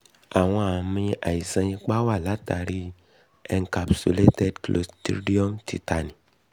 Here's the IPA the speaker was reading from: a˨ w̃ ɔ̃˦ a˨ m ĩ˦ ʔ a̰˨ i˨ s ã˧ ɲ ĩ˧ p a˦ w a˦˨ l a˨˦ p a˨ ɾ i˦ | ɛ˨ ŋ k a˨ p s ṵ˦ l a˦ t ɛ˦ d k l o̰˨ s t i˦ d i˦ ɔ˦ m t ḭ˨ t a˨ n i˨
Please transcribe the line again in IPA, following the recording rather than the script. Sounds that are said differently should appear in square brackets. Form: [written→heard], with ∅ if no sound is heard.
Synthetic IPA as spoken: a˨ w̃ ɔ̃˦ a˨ m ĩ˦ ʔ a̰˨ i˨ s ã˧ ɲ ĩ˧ [p→k͡p] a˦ w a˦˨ l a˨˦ [p→t] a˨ ɾ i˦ | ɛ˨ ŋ k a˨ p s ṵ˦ l [a˦→e˦] t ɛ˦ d k l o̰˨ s t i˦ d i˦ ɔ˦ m t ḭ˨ t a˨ n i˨